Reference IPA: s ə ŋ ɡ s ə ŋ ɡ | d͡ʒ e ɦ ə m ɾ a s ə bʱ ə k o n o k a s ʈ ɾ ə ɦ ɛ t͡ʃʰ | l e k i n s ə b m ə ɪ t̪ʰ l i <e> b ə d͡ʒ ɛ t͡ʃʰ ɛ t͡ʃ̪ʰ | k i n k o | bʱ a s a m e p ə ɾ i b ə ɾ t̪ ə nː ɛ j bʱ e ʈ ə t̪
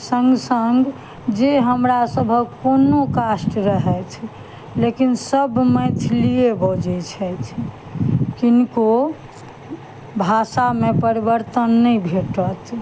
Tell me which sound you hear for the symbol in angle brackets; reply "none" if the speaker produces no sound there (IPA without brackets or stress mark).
e